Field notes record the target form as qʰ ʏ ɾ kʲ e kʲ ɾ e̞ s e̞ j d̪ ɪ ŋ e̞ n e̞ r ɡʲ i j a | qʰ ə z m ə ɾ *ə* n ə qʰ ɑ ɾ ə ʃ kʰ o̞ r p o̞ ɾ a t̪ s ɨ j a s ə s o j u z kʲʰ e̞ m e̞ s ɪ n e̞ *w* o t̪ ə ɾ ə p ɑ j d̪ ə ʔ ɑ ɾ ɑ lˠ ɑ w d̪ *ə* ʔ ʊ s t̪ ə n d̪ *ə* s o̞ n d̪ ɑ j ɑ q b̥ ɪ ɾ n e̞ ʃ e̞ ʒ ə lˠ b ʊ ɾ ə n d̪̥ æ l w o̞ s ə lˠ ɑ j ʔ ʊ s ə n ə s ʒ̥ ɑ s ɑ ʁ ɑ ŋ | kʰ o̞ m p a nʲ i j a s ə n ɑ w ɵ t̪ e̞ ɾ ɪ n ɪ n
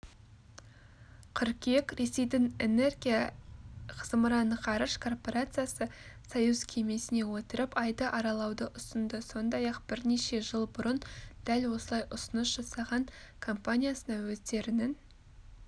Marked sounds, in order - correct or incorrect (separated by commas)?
incorrect, correct, correct, correct